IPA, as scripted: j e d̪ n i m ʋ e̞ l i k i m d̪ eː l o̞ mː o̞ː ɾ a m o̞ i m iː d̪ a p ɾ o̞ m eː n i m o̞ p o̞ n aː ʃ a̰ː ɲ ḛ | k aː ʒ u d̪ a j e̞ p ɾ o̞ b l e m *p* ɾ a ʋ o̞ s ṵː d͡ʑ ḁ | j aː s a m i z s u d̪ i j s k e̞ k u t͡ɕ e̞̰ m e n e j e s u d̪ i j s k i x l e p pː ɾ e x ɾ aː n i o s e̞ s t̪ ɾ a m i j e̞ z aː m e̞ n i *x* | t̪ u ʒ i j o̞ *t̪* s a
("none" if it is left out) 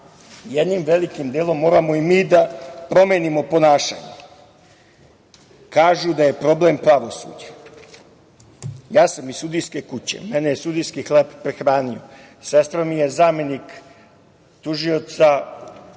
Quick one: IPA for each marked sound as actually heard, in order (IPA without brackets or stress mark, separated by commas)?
p, k, t̪